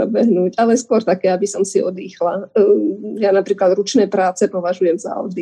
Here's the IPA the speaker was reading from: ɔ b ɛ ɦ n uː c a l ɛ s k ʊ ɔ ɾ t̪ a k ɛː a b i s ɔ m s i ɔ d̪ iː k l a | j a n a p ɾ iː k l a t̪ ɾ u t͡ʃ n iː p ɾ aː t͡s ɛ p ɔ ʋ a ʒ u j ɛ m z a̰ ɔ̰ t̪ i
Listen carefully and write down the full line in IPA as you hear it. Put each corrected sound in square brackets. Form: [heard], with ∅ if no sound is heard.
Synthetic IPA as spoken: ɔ b ɛ ɦ n uː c a l ɛ s k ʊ ɔ ɾ t̪ a k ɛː a b i s ɔ m s i ɔ d̪ iː [x] l a | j a n a p ɾ iː k l a [d̪] ɾ u t͡ʃ n [ɛː] p ɾ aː t͡s ɛ p ɔ ʋ a ʒ u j ɛ m z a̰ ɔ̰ [d̪] i